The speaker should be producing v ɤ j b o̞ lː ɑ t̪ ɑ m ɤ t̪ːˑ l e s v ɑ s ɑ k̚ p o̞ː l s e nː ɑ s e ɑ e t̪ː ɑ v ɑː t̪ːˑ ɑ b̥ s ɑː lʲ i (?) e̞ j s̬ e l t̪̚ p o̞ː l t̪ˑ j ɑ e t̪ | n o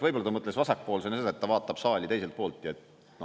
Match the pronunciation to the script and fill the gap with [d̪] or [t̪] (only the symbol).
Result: t̪